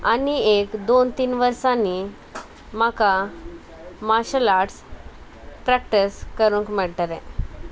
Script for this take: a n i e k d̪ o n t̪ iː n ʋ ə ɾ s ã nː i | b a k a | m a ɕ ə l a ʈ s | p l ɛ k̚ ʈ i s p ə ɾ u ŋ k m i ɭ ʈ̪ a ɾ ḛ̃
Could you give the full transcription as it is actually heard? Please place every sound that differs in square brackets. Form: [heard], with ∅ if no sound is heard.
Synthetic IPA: a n i e k d̪ o n t̪ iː n ʋ ə ɾ s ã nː i | [m] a k a | m a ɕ ə l a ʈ s | p [ɾ] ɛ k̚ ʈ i s [k] ə ɾ u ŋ k m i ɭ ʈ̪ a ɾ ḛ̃

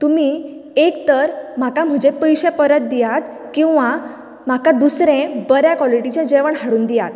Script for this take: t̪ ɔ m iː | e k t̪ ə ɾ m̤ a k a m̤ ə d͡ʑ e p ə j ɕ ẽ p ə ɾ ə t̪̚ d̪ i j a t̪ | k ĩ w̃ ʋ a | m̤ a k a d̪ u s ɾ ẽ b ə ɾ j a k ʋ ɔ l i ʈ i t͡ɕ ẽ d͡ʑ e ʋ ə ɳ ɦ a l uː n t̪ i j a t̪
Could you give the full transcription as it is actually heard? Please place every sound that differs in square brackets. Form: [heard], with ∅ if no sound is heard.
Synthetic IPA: t̪ [u] m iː | e k t̪ ə ɾ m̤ a k a m̤ ə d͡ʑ e p ə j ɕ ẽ p ə ɾ ə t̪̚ d̪ i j a t̪ | k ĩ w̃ ʋ a | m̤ a k a d̪ u s ɾ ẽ b ə ɾ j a k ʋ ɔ l i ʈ i t͡ɕ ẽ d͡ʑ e ʋ ə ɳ ɦ a [ɽ] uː n [d̪] i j a t̪

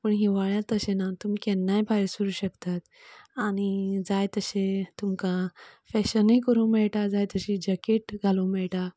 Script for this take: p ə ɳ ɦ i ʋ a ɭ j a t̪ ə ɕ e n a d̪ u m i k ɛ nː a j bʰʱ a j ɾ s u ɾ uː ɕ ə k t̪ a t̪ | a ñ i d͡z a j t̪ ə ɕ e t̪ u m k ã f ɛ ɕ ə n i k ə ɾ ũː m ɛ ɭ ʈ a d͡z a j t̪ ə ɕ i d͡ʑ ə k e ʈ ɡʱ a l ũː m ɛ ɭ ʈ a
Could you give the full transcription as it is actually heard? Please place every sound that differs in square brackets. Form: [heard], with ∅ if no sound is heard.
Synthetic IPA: p ə ɳ ɦ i ʋ a ɭ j a t̪ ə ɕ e n a [t̪] u m i k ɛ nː a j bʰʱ a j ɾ s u ɾ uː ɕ ə k t̪ a t̪ | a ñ i d͡z a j t̪ ə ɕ e t̪ u m k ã f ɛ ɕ ə n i k ə ɾ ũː m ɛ ɭ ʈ a d͡z a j t̪ ə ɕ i d͡ʑ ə k e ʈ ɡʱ a l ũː m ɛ ɭ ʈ a

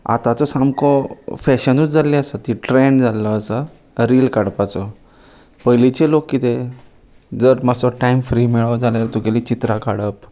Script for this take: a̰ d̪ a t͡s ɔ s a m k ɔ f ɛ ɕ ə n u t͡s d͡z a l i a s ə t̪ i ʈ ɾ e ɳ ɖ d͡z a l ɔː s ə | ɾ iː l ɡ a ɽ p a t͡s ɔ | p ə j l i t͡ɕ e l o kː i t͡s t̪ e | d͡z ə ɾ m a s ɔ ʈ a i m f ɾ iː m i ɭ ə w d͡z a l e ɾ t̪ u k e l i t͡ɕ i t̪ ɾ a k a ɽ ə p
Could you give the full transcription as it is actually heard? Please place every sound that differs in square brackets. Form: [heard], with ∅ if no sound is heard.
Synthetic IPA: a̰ [t̪] a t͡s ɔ s a m k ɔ f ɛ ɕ ə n u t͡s d͡z a l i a s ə t̪ i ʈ ɾ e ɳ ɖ d͡z a l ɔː s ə | ɾ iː l [k] a ɽ p a t͡s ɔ | p ə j l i t͡ɕ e l o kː i [∅] t̪ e | d͡z ə ɾ m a s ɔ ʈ a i m f ɾ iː m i ɭ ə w d͡z a l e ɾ t̪ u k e l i t͡ɕ i t̪ ɾ a k a ɽ ə p

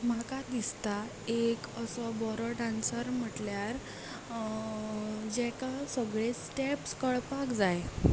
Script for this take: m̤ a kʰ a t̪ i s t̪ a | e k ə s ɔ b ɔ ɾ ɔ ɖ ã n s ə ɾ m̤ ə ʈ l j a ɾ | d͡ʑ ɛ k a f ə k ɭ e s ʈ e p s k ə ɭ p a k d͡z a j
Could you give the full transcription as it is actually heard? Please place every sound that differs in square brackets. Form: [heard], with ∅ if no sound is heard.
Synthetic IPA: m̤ a [k] a [d̪] i s t̪ a | e k ə s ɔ b ɔ ɾ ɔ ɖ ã n s ə ɾ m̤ ə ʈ l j a ɾ | d͡ʑ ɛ k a [s] ə [ɡ] ɭ e s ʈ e p s k ə ɭ p a k d͡z a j

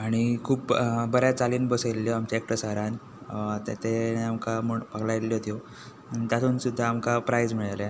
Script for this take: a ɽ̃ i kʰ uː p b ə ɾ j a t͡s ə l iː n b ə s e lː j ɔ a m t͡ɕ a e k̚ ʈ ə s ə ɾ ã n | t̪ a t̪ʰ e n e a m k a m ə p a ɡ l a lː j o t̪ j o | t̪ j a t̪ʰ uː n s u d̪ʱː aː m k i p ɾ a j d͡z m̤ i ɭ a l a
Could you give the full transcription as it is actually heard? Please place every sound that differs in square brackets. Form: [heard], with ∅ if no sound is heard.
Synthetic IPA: a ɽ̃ i kʰ uː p b ə ɾ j a t͡s [a] l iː n b ə s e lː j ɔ a m t͡ɕ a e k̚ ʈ ə s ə ɾ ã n | t̪ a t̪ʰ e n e a m k a m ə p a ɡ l a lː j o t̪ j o | t̪ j a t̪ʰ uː n s u d̪ʱː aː m k [a] p ɾ a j d͡z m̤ i ɭ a l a

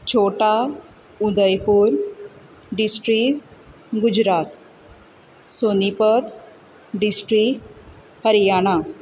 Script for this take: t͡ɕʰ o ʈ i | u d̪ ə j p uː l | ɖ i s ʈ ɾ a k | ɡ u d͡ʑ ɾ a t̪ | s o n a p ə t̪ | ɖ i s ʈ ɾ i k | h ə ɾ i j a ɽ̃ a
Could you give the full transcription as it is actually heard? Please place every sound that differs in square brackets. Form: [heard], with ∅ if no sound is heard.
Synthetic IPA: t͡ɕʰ o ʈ [a] | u d̪ ə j p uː [ɾ] | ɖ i s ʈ ɾ [i] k | ɡ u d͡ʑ ɾ a t̪ | s o n [i] p ə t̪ | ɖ i s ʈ ɾ i k | h ə ɾ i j a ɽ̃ a

